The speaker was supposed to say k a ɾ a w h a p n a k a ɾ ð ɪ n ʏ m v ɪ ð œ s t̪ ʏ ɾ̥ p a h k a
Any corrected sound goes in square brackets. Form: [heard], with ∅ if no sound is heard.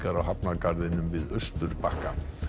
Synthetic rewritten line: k a ɾ a w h a p n a k a ɾ ð ɪ n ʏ m v ɪ ð œ s t̪ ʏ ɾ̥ p a h k a